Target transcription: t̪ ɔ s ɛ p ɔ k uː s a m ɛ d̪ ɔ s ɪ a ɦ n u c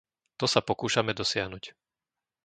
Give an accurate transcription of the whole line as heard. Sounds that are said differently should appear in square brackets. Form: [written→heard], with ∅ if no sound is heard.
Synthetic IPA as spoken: t̪ ɔ s [ɛ→a] p ɔ k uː [s→ʃ] a m ɛ d̪ ɔ s ɪ a ɦ n u c